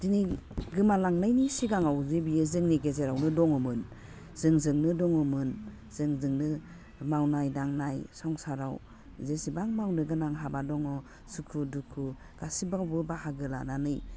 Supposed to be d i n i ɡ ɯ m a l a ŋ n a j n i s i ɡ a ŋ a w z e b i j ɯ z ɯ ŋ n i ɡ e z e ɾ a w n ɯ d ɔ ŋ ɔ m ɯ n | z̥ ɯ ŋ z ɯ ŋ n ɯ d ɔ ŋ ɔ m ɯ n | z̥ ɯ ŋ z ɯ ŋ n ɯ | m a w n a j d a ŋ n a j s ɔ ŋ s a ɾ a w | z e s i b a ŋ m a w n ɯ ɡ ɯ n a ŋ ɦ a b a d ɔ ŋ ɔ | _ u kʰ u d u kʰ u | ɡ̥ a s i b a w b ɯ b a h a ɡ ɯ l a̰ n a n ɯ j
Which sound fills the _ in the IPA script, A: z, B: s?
B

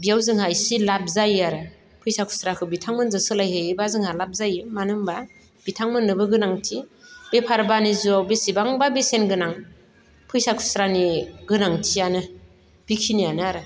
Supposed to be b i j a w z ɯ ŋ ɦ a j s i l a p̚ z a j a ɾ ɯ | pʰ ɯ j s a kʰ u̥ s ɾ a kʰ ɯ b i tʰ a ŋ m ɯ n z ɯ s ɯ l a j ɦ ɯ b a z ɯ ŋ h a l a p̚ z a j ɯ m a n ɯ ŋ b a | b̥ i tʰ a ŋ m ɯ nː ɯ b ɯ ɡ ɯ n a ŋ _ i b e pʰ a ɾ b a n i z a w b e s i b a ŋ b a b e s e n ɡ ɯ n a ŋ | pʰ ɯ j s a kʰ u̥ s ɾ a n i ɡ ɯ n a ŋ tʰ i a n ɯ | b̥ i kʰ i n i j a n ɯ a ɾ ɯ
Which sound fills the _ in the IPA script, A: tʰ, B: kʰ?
A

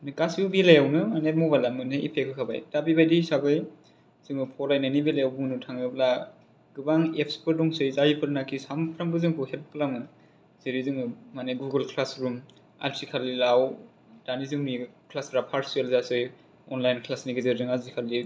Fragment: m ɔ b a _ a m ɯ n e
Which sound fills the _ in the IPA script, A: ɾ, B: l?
B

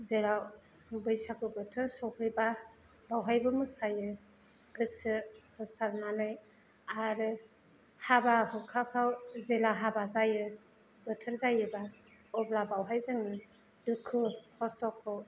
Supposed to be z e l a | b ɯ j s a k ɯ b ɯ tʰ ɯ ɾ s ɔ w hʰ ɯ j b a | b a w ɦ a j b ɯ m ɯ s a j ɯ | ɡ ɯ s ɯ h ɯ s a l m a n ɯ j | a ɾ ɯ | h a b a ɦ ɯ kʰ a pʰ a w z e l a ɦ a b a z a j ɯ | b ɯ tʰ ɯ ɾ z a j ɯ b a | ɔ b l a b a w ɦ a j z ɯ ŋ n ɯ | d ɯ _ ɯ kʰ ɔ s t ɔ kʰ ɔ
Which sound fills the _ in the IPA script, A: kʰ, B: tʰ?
A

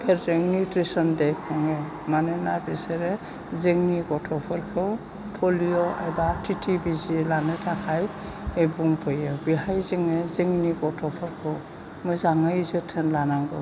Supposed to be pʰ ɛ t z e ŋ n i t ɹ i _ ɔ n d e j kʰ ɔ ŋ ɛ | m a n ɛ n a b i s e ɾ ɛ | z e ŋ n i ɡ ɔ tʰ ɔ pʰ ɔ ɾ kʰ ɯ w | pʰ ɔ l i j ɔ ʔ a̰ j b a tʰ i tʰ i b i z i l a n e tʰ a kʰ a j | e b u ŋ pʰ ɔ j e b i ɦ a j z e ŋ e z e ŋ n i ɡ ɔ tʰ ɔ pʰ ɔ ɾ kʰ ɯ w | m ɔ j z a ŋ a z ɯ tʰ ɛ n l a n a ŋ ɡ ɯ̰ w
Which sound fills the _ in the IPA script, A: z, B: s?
B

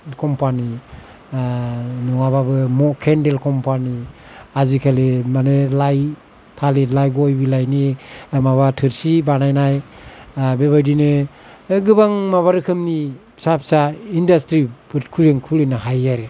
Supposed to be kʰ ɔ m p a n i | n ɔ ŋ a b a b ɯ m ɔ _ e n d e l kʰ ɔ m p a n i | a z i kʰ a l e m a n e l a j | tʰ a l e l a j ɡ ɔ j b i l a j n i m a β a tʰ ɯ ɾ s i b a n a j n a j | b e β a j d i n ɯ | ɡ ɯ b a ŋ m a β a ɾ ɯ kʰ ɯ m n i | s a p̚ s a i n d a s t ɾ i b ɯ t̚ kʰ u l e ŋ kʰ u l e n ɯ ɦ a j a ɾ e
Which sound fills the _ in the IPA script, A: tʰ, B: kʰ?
B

